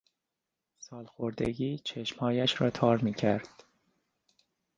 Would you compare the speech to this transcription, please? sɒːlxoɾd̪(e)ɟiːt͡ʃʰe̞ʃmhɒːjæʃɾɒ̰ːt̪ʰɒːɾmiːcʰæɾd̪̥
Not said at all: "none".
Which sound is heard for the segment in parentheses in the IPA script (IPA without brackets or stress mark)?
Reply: e